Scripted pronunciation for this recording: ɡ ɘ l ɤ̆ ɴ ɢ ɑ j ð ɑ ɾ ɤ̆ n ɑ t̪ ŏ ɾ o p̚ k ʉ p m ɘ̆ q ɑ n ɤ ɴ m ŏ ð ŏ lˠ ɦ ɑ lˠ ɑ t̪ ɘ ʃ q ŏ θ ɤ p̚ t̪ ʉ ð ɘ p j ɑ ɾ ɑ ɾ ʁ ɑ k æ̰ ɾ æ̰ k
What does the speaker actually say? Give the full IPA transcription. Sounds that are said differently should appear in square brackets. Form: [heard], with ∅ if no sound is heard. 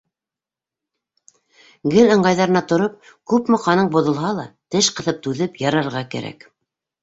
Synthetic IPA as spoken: ɡ ɘ l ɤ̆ ɴ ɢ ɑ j ð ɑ ɾ ɤ̆ n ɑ t̪ ŏ ɾ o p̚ k ʉ p m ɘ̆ q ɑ n ɤ ɴ [b] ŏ ð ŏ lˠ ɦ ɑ lˠ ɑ t̪ ɘ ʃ q [ɤ̆] θ ɤ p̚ t̪ ʉ ð ɘ p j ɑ ɾ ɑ ɾ ʁ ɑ k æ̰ ɾ æ̰ k